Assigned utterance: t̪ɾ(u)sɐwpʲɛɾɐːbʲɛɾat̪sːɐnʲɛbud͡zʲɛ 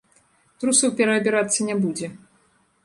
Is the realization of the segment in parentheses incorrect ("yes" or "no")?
no